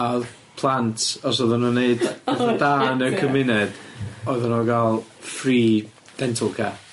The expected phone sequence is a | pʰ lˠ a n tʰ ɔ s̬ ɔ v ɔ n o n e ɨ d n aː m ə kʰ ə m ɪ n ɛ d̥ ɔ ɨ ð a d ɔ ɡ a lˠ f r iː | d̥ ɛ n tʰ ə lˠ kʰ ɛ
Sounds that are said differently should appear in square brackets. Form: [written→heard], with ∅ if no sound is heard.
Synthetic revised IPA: a | pʰ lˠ a n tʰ ɔ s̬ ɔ [v→ð] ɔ n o n e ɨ d [n→d] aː [m→n] ə kʰ ə m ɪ n ɛ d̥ ɔ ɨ ð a [d→n] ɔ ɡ a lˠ f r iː | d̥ ɛ n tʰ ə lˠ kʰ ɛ